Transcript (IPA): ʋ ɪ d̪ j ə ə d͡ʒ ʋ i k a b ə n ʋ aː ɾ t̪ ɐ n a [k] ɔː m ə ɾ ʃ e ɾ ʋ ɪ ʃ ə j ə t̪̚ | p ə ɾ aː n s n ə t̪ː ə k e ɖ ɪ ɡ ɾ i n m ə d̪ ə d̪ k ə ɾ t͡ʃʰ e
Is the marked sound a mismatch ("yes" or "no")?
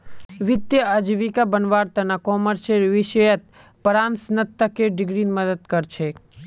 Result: no